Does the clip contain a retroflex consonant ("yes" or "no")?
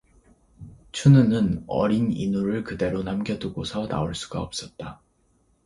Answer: yes